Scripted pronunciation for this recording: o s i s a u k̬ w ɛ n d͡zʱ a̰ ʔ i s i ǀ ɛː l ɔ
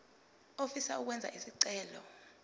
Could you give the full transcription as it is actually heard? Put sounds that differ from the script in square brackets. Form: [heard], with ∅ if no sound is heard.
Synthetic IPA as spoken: o [f] i s a u k̬ w ɛ n d͡zʱ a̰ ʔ i s i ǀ ɛː l ɔ